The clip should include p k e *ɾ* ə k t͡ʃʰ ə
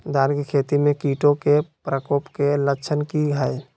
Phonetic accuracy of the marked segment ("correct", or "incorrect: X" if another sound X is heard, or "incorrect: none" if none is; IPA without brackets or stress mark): incorrect: l